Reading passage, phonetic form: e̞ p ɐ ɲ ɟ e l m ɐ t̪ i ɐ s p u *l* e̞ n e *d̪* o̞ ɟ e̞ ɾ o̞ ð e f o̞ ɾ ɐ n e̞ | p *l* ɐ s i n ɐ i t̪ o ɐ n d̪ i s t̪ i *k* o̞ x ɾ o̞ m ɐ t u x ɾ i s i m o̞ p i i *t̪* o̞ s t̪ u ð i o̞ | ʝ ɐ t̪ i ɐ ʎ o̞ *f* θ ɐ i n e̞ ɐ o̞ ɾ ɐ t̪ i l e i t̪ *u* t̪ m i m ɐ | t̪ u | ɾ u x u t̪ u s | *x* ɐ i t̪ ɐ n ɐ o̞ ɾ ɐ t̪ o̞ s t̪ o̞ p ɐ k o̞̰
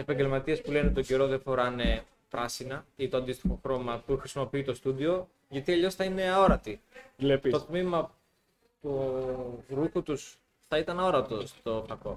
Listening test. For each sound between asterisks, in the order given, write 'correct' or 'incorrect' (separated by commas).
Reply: correct, incorrect, incorrect, incorrect, correct, incorrect, incorrect, incorrect